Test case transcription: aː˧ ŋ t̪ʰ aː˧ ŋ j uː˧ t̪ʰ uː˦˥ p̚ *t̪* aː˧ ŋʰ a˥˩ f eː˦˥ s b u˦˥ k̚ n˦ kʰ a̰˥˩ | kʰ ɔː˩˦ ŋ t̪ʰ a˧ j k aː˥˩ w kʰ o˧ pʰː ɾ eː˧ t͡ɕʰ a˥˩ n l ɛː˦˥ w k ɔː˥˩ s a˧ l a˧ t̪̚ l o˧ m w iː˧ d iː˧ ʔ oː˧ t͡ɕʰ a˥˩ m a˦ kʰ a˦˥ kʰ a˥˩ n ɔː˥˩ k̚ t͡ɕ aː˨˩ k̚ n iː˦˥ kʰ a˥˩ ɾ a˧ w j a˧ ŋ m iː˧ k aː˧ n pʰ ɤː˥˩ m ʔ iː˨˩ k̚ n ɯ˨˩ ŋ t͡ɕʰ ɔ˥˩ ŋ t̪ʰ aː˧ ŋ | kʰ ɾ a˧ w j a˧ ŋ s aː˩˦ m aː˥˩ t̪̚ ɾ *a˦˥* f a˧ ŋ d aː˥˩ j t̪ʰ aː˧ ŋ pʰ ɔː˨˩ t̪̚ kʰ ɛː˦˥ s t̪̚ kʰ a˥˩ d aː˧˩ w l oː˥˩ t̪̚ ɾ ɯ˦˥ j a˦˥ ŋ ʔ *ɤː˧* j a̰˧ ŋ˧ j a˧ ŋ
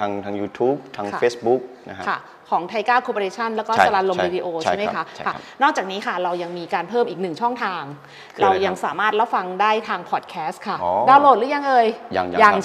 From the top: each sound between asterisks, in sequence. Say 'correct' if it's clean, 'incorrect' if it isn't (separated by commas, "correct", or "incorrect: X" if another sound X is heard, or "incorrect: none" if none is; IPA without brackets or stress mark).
incorrect: t̪ʰ, correct, correct